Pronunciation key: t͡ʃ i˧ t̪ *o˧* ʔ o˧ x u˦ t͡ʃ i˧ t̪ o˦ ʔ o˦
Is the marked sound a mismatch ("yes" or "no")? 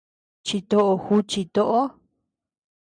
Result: no